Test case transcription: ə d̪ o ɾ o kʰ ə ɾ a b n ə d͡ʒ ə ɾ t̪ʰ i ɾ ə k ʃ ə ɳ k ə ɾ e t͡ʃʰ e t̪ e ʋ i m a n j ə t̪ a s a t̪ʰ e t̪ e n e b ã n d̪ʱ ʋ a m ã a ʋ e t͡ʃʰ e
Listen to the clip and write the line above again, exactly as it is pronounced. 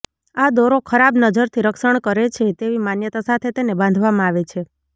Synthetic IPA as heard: a d̪ o ɾ o kʰ ə ɾ a b n ə d͡ʒ ə ɾ t̪ʰ i ɾ ə k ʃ ə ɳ k ə ɾ e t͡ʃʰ e t̪ e ʋ i m a n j ə t̪ a s a t̪ʰ e t̪ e n e b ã n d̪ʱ ʋ a m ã a ʋ e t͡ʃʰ e